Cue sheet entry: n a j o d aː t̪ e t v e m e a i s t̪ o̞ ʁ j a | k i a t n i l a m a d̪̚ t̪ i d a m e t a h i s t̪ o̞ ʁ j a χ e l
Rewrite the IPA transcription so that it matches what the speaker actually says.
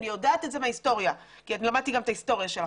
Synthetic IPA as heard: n i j o d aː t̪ e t z e m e a i s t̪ o̞ ʁ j a | k i a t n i l a m a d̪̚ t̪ i ɡ a m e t a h i s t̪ o̞ ʁ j a ʃ e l